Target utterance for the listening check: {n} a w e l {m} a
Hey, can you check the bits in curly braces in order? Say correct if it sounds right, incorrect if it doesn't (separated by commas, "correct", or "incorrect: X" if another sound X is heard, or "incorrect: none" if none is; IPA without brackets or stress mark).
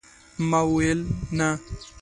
incorrect: m, incorrect: n